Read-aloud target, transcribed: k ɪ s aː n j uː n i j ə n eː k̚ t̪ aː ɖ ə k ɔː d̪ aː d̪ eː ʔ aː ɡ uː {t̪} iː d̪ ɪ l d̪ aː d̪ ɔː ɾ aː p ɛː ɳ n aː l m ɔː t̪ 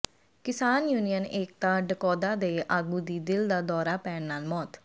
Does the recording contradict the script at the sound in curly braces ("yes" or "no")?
yes